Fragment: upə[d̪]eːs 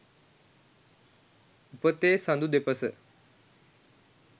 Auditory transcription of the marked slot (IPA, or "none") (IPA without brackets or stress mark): t̪